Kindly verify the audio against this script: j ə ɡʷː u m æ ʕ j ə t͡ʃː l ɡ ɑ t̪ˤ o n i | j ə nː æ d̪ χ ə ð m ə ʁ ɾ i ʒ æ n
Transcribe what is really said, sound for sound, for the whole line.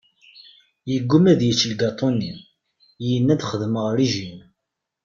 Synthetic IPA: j ə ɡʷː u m æ ð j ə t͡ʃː l ɡ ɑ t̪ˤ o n i | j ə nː æ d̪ χ ə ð m ə ʁ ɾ i ʒ i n